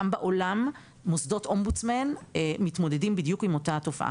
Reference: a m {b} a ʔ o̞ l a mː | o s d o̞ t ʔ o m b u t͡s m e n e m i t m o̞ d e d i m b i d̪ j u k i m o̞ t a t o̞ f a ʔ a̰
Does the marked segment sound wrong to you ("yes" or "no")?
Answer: no